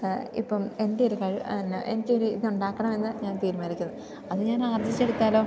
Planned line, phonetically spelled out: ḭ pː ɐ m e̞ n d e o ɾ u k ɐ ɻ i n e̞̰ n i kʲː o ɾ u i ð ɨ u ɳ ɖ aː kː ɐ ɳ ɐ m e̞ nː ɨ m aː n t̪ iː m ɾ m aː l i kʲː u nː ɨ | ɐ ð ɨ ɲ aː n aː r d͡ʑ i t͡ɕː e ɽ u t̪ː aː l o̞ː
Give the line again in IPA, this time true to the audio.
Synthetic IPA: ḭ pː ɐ m e̞ n d e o ɾ u k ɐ ɻ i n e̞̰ n i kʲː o ɾ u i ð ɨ u ɳ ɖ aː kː ɐ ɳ ɐ m e̞ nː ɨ ɲ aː n t̪ iː ɾ m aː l i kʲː u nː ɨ | ɐ ð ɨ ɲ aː n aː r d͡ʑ i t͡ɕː e ɽ u t̪ː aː l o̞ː